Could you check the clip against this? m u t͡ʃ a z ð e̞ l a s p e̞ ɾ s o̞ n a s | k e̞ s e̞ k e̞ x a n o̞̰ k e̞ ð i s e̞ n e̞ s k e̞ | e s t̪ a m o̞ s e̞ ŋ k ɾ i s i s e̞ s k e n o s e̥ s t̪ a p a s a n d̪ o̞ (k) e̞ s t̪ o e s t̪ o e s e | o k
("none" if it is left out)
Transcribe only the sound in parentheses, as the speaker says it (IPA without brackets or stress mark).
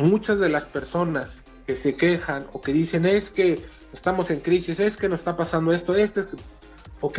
none